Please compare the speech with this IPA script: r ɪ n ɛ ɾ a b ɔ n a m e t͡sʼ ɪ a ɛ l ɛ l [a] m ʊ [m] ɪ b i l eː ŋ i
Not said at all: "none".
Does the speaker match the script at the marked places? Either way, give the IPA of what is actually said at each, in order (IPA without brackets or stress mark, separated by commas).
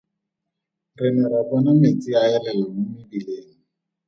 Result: a, m